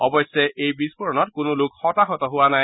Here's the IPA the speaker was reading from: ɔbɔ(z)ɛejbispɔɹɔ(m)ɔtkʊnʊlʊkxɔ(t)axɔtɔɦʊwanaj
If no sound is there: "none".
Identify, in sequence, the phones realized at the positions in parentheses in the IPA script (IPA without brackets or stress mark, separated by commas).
s, n, t